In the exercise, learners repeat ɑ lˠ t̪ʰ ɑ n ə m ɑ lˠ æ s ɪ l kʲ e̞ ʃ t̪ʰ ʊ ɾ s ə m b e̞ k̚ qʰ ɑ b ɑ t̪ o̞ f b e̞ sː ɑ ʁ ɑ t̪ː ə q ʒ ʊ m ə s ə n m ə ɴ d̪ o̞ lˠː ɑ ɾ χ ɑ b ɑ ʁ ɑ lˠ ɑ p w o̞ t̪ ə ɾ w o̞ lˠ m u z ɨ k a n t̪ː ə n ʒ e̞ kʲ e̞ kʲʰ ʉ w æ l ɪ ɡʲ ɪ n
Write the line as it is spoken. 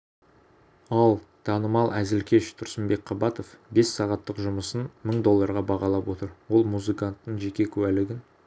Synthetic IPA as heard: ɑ lˠ t̪ʰ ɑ n ə m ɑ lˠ æ z ɪ l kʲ e̞ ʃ t̪ʰ ʊ ɾ s ə m b e̞ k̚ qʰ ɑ b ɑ t̪ o̞ f b e̞ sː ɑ ʁ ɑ t̪ː ə q ʒ ʊ m ə s ə n m ə ɴ d̪ o̞ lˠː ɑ ɾ ʁ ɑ b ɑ ʁ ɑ lˠ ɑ p w o̞ t̪ ə ɾ w o̞ lˠ m u z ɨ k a n t̪ː ə ɴ ʒ e̞ kʲ e̞ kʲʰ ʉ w æ l ɪ ɡʲ ɪ n